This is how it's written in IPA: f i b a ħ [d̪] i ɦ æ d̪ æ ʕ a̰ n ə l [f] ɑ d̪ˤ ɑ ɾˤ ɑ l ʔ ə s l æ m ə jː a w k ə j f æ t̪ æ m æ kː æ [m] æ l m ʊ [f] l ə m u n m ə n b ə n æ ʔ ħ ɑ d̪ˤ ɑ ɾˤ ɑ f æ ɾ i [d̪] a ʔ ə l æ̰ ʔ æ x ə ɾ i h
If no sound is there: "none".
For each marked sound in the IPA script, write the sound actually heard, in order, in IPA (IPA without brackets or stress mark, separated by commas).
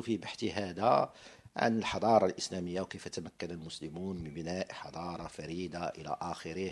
t̪, ħ, n, s, d̪